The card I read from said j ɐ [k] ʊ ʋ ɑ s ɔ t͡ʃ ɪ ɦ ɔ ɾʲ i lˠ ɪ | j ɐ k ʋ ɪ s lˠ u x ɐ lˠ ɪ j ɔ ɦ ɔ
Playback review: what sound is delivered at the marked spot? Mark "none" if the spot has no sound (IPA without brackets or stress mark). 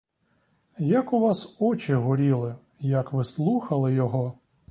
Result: k